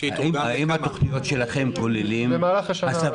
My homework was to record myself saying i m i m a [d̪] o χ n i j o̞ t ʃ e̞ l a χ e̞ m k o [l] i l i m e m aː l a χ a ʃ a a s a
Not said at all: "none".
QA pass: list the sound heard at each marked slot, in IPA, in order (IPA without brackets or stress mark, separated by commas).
t̪, l